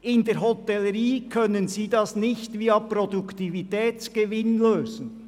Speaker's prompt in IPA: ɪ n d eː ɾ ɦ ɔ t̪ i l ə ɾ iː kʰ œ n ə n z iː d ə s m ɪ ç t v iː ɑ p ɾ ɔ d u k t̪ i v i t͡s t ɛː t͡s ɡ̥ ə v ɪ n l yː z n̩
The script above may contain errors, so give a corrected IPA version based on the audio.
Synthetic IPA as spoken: ɪ n d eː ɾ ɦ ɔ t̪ ɛ l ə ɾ iː kʰ œ n ə n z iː d ɑ s n ɪ ç t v iː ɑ p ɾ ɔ d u k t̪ i v i t ɛː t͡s ɡ̥ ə v ɪ n l øː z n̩